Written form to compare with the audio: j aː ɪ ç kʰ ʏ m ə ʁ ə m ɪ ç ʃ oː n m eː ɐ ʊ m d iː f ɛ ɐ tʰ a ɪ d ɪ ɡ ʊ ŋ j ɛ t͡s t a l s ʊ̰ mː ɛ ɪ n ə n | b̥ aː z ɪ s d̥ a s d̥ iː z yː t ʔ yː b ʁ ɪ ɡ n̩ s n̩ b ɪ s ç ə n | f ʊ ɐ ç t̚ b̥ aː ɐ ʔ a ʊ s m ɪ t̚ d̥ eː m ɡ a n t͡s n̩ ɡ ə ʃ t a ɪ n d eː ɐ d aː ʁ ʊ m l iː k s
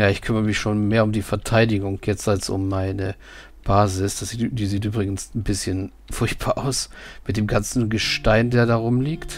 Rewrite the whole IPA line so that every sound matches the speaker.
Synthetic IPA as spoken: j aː ɪ ç kʰ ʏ m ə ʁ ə m ɪ ç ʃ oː n m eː ɐ ʊ m d iː f ɛ ɐ tʰ a ɪ d ɪ ɡ ʊ ŋ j ɛ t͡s t a l s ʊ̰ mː a ɪ n ə | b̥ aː z ɪ s d̥ a s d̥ iː z iː t ʔ yː b ʁ ɪ ɡ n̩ s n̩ b ɪ s ç ə n | f ʊ ɐ ç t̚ b̥ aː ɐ ʔ a ʊ s m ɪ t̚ d̥ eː m ɡ a n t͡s n̩ ɡ ə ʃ t a ɪ n d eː ɐ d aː ʁ ʊ m l iː k t